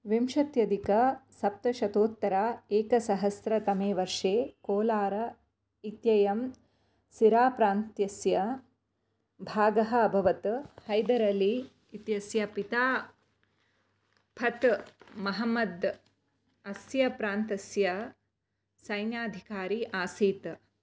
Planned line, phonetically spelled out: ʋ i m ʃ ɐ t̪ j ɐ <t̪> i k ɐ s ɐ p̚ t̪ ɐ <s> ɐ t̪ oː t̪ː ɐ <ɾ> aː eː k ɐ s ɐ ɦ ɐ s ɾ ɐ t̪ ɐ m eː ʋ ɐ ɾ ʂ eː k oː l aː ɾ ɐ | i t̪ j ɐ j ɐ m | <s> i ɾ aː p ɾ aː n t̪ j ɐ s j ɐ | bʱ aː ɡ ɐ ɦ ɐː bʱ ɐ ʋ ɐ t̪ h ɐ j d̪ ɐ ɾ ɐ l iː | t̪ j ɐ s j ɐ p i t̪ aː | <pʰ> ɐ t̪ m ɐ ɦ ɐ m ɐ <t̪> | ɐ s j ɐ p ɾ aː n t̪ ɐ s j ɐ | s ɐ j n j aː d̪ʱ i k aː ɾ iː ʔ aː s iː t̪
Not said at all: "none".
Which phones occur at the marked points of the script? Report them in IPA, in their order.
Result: d̪, ʃ, ɾ, s, pʰ, d̪

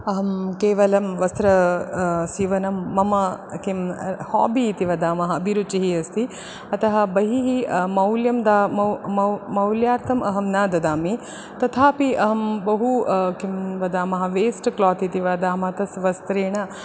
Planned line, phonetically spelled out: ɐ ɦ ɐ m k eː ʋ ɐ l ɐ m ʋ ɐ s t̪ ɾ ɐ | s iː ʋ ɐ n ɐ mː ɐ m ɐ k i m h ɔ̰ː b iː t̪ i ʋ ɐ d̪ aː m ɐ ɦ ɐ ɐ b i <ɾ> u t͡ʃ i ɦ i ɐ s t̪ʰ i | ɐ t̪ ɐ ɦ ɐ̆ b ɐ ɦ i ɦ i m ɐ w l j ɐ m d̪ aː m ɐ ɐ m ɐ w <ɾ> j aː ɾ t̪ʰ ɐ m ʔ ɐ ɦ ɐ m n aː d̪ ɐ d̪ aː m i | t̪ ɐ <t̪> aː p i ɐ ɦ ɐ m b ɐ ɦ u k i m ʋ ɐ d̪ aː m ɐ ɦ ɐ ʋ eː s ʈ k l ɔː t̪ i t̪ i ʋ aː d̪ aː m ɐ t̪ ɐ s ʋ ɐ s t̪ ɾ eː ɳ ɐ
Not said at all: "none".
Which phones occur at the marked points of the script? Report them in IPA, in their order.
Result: ɾ, l, t̪ʰ

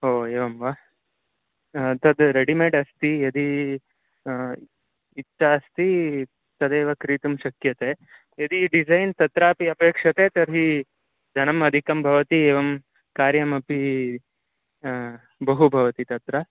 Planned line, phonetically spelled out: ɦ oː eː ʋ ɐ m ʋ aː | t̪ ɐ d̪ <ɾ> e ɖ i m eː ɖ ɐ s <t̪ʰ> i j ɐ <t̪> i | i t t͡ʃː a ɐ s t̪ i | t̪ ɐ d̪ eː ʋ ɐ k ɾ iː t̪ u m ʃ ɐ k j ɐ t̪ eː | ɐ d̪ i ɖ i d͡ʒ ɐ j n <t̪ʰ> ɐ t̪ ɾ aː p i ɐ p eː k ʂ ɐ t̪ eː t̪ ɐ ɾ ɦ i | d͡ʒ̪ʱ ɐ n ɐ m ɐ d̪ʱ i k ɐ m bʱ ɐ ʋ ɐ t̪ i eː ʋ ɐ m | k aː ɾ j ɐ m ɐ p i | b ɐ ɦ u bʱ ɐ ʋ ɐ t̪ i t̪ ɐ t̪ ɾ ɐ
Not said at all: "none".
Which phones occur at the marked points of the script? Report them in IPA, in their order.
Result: ɾ, t̪, d̪, t̪

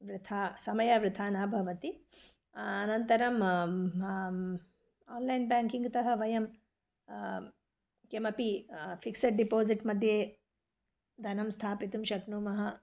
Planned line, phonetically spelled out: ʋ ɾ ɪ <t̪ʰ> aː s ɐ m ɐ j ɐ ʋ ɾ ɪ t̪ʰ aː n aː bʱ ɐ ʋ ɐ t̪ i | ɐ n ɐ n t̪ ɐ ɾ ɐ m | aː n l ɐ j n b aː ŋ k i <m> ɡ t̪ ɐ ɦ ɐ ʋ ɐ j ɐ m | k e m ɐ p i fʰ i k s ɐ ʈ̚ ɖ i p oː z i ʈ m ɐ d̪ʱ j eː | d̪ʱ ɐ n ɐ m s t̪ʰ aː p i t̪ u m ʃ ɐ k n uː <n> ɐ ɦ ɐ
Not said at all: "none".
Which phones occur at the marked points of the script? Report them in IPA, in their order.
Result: t̪ʰ, ŋ, m

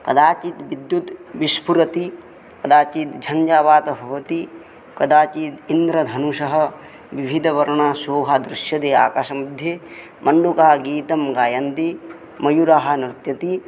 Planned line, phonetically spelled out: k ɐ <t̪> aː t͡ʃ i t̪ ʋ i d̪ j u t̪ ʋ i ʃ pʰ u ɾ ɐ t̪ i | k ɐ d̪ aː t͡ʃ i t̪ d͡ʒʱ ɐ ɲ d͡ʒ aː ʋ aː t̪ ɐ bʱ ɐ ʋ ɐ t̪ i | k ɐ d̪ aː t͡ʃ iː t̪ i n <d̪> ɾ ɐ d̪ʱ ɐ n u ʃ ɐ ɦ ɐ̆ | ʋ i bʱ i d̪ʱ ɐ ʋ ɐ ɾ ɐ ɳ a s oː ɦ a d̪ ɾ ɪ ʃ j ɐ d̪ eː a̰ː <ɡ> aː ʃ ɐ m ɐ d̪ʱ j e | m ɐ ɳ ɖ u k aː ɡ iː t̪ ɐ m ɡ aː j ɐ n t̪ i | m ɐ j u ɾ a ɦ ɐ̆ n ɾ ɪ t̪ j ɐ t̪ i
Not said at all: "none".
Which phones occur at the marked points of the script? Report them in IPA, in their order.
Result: d̪, d̪, k

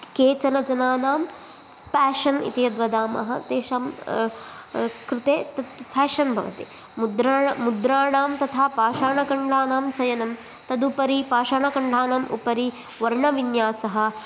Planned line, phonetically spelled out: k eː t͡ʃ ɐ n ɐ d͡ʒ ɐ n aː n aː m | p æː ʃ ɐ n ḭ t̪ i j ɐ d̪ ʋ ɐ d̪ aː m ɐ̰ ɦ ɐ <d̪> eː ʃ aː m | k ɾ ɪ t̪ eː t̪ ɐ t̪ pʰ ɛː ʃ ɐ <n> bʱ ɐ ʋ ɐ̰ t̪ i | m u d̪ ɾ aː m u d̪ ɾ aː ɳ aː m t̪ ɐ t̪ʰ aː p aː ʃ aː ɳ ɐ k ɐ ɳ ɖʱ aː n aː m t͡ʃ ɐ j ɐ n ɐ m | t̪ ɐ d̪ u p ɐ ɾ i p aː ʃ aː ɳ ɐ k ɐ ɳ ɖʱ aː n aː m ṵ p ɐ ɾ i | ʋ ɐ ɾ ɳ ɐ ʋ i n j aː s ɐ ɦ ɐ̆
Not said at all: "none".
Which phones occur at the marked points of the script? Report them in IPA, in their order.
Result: t̪, n

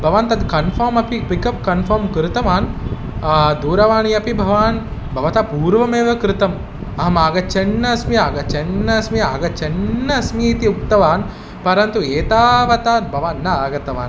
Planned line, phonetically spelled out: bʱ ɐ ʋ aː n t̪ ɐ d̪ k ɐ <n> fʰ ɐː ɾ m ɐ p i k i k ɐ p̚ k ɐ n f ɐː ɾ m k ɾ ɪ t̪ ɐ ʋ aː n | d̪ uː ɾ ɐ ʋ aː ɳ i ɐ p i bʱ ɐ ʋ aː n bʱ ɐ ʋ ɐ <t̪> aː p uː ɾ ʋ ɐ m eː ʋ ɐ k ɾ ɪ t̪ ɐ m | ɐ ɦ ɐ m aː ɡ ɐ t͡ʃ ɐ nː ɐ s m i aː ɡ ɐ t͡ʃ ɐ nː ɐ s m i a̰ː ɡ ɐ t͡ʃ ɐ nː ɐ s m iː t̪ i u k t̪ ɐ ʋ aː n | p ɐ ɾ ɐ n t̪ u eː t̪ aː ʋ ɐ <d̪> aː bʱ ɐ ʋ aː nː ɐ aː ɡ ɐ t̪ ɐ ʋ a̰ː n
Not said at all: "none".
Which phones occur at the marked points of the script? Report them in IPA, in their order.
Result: n, t̪, t̪

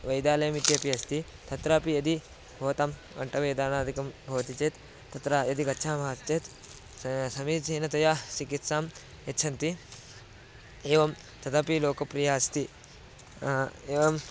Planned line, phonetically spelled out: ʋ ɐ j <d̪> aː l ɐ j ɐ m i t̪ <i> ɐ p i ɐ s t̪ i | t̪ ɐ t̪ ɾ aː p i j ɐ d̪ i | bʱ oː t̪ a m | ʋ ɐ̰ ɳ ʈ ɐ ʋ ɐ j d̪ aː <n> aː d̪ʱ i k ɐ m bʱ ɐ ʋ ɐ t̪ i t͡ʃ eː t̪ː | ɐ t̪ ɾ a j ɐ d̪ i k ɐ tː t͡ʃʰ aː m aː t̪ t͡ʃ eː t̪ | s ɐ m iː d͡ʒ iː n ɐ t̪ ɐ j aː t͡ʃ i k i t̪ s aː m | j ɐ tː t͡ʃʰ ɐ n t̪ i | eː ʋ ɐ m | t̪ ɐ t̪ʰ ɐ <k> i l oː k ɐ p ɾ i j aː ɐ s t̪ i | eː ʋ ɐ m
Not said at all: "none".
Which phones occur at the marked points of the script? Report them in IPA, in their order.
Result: d̪, j, n, p

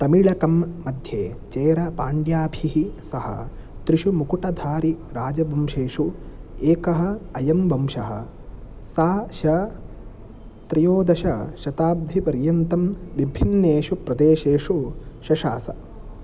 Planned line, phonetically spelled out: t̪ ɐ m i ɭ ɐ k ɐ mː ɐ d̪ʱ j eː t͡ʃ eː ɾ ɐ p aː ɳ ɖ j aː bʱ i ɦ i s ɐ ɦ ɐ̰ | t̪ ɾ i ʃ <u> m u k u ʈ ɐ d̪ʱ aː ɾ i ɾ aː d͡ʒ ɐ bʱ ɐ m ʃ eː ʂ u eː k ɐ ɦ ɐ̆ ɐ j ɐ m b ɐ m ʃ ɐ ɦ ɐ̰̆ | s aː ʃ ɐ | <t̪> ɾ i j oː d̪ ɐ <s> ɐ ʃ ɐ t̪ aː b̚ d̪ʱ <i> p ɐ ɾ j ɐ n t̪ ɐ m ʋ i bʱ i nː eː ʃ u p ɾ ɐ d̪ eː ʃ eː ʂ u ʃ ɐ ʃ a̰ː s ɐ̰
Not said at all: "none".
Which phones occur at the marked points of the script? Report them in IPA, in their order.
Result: u, t̪, ʃ, i

